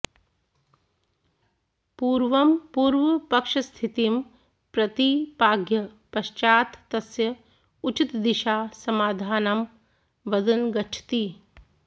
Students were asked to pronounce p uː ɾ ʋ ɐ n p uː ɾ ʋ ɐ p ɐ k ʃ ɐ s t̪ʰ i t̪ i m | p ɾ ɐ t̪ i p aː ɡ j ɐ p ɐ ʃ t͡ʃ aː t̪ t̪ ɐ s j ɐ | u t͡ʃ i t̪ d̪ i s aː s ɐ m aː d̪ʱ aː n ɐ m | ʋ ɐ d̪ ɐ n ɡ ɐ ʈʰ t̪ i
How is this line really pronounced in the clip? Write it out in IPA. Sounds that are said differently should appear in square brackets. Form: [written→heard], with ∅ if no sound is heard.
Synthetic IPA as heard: p uː ɾ ʋ ɐ [n→m] p uː ɾ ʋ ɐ p ɐ k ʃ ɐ s t̪ʰ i t̪ i m | p ɾ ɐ t̪ i p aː ɡ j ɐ p ɐ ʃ t͡ʃ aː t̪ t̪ ɐ s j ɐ | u t͡ʃ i t̪ d̪ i [s→ʃ] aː s ɐ m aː d̪ʱ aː n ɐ m | ʋ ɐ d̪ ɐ n ɡ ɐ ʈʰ t̪ i